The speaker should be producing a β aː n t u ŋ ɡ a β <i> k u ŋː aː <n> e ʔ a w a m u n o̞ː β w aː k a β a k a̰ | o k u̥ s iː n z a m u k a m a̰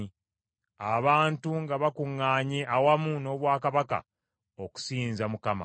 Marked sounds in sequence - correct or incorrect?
incorrect, incorrect

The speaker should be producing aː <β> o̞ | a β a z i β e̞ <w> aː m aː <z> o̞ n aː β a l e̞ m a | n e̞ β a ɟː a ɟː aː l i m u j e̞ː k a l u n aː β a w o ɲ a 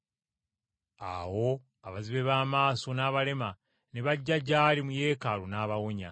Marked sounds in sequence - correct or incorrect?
incorrect, incorrect, incorrect

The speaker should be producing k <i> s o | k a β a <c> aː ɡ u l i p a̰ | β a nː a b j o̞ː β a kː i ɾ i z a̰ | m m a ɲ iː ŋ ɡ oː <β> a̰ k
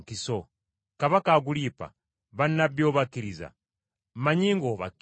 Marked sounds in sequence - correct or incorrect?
correct, incorrect, correct

